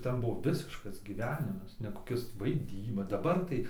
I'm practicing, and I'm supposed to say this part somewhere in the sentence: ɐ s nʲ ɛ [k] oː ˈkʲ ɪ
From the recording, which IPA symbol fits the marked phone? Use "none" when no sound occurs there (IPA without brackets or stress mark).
k